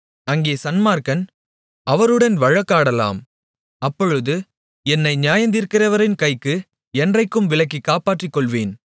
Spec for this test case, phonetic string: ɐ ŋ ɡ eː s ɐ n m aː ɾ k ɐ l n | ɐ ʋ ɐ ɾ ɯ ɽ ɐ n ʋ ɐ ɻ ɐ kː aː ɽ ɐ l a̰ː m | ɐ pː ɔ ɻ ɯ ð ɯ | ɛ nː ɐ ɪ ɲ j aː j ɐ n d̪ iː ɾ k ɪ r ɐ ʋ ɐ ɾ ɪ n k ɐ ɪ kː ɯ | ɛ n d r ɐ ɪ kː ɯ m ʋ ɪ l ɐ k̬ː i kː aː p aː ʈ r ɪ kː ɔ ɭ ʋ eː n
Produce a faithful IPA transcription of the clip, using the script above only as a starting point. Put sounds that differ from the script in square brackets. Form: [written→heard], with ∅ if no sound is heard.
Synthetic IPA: ɐ ŋ ɡ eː s ɐ n m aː ɾ k ɐ [l→∅] n | ɐ ʋ ɐ ɾ ɯ ɽ ɐ n ʋ ɐ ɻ ɐ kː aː ɽ ɐ l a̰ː m | ɐ pː ɔ ɻ ɯ ð ɯ | ɛ nː ɐ ɪ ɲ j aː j ɐ n d̪ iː ɾ k ɪ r ɐ ʋ ɐ ɾ ɪ n k ɐ ɪ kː ɯ | ɛ n d r ɐ ɪ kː ɯ m ʋ ɪ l ɐ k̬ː i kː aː p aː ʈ r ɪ kː ɔ ɭ ʋ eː n